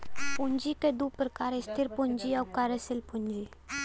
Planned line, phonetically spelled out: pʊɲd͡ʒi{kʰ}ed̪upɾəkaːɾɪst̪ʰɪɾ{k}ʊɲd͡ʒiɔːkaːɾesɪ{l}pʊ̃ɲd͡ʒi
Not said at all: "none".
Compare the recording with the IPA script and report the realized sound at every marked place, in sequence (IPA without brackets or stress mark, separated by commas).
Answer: k, p, l